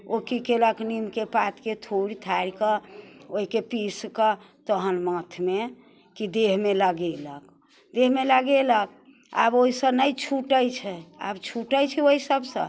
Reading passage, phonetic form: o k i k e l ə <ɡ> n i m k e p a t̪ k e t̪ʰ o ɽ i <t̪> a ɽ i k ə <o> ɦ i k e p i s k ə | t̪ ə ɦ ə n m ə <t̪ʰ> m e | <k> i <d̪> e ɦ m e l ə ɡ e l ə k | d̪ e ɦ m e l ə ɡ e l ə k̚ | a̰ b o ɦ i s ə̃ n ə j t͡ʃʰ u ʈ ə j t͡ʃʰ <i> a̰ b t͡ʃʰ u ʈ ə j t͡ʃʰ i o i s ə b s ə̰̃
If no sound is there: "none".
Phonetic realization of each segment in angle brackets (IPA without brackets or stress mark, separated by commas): k, t̪ʰ, o, t̪ʰ, k, d̪, ɛ